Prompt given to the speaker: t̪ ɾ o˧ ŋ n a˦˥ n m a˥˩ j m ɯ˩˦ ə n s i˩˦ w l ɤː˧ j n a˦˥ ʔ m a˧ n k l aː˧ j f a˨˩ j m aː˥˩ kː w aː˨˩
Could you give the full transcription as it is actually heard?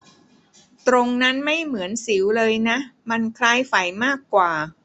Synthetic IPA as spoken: t̪ ɾ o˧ ŋ n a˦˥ n m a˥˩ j m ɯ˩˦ ə n s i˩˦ w l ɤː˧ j n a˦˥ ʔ m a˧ n kʰ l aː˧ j f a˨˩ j m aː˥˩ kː w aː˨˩

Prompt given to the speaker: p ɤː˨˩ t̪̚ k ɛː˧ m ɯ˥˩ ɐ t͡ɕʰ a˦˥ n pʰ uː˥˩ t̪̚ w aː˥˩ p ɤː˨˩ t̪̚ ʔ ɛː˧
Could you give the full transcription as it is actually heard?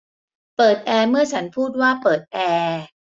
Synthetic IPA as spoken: p ɤː˨˩ t̪̚ ʔ ɛː˧ m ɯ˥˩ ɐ t͡ɕʰ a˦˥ n pʰ uː˥˩ t̪̚ w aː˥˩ p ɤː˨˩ t̪̚ ʔ ɛː˧

